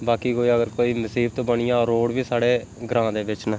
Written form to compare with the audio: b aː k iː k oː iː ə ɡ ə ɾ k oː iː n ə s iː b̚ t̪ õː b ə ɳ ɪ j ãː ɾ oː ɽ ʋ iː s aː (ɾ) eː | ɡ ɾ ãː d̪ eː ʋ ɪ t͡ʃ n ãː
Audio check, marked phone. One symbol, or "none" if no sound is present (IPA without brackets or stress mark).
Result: ɽ